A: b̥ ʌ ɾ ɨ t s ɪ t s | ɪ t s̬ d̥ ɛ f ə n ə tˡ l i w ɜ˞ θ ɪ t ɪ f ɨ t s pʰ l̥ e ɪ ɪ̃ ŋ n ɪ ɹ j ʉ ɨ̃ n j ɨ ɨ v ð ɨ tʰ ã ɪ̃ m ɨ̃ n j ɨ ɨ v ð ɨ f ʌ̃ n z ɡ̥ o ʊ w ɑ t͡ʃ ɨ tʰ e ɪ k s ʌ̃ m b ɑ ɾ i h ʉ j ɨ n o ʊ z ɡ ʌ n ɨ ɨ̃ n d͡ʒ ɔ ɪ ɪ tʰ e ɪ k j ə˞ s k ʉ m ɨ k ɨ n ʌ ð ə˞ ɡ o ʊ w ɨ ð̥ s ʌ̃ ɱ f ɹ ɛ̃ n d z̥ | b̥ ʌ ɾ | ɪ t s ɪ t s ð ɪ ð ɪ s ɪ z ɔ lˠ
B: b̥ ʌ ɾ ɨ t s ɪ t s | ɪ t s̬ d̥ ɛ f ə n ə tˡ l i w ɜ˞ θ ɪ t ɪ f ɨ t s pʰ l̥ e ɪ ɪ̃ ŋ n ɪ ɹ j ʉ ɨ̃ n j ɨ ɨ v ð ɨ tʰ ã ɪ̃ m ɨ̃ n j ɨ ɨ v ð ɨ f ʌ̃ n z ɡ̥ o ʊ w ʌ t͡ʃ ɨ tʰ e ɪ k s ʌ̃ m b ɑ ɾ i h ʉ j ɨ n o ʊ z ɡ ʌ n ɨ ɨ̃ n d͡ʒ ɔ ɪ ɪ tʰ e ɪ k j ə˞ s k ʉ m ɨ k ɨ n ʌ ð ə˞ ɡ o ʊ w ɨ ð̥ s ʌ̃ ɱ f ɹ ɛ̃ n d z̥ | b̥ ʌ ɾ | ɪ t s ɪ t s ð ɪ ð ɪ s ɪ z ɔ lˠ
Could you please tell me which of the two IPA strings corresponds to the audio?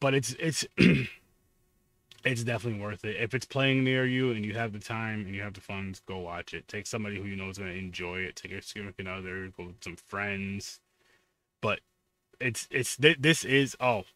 A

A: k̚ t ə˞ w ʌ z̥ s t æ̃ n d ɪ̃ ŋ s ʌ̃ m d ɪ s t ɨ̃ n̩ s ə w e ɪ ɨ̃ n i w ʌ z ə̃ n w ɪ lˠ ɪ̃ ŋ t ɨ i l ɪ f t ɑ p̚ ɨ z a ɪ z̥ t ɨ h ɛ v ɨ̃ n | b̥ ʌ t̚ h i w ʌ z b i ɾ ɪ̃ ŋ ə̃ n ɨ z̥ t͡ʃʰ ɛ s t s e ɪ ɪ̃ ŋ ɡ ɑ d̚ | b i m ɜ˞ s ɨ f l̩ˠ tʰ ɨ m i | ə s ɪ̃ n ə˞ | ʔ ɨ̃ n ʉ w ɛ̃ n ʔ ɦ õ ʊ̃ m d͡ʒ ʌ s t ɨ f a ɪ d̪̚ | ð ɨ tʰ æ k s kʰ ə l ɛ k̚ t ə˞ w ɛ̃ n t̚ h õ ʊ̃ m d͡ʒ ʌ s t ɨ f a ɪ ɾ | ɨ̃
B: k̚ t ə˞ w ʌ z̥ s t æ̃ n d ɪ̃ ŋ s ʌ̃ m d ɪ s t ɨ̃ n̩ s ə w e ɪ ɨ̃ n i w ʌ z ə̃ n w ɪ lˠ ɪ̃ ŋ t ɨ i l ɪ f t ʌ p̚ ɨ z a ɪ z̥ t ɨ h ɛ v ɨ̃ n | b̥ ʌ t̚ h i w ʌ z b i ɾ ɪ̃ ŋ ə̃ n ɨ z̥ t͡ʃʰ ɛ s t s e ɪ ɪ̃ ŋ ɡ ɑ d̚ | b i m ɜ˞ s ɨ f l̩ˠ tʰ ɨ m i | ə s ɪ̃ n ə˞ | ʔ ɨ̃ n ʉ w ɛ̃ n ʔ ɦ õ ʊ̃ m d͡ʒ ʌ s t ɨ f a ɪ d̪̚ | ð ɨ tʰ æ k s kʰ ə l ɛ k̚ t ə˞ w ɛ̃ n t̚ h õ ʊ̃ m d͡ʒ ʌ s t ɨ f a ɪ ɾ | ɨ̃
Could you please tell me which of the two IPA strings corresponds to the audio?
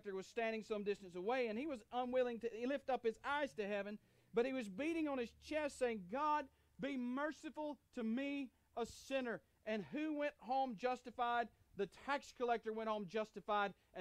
B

